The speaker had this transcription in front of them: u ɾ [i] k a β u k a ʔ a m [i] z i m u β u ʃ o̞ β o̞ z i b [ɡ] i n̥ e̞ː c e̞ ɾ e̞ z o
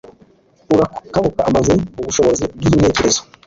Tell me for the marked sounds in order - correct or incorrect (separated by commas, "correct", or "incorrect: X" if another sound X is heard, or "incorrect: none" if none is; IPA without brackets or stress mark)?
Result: incorrect: a, incorrect: a, correct